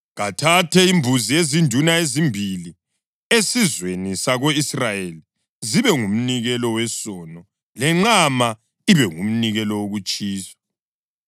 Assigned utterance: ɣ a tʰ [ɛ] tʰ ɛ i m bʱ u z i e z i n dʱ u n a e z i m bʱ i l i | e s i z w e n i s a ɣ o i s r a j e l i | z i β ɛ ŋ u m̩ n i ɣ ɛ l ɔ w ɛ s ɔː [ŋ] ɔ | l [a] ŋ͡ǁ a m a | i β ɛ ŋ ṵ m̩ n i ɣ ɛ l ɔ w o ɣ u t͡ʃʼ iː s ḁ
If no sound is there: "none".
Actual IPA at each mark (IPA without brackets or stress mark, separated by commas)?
a, n, ɛ